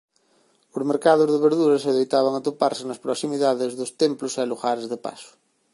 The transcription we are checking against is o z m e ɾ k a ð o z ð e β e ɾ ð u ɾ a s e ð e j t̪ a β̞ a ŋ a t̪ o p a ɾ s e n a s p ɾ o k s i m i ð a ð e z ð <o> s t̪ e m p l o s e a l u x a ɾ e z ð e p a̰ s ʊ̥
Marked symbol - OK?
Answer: yes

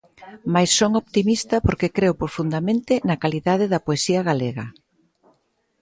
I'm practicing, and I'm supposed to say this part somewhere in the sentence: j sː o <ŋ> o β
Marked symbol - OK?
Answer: yes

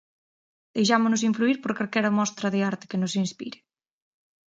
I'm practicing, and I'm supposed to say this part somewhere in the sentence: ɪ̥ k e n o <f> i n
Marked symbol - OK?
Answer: no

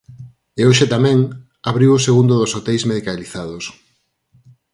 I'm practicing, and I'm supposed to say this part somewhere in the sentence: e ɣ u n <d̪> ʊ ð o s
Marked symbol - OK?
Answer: yes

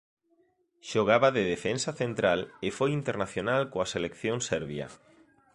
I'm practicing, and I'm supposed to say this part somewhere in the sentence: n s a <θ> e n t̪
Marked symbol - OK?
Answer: yes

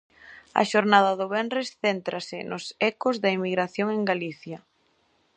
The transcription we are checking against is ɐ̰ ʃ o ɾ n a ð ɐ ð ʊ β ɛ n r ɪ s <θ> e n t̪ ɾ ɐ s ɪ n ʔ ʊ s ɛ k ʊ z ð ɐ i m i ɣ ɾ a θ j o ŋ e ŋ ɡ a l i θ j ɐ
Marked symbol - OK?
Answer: yes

